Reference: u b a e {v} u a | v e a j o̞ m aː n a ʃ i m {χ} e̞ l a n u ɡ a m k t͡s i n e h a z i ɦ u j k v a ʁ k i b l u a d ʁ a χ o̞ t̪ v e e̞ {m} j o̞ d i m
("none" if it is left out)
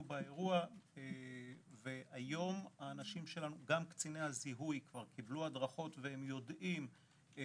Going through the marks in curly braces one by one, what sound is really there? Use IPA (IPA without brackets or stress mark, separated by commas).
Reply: ʁ, ʃ, m